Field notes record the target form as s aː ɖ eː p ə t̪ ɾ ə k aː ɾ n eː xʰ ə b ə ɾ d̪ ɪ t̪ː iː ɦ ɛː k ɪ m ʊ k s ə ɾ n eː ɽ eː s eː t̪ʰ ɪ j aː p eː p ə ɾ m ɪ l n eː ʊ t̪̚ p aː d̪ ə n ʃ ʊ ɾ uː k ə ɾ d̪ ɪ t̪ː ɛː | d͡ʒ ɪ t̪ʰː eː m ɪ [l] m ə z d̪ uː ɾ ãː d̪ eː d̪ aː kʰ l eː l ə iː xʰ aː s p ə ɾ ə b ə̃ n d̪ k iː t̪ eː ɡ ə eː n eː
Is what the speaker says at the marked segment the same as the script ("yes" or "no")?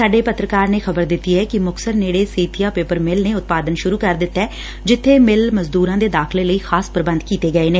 yes